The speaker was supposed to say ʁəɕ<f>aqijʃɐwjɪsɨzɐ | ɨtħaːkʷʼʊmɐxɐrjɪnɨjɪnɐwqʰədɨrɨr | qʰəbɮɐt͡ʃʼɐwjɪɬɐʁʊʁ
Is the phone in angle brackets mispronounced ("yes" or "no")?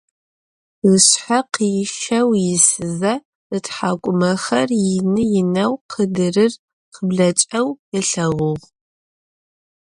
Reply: yes